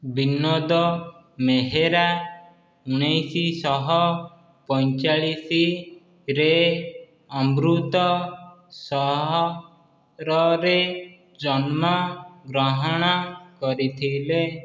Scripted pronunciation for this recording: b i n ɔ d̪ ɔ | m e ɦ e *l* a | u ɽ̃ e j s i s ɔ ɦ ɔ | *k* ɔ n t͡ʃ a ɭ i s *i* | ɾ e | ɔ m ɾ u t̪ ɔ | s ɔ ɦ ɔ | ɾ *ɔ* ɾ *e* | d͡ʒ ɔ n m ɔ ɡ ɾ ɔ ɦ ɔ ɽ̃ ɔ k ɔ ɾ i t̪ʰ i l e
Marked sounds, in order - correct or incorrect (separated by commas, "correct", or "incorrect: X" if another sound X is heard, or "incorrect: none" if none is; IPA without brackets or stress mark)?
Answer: incorrect: ɾ, incorrect: p, correct, correct, correct